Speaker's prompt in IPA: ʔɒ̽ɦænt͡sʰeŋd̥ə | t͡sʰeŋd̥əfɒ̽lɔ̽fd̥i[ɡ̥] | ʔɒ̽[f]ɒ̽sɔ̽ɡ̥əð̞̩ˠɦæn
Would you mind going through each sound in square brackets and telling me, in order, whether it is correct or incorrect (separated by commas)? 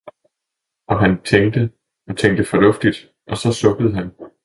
incorrect, incorrect